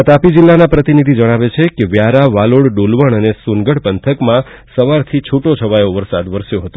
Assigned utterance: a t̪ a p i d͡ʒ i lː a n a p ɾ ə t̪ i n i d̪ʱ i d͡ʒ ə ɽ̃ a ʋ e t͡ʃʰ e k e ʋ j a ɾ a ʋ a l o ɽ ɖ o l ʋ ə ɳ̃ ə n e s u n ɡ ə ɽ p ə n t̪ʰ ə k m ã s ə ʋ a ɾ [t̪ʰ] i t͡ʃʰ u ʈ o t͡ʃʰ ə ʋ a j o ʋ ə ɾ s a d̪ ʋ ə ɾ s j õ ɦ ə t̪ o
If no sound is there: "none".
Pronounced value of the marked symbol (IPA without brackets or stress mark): t̪ʰ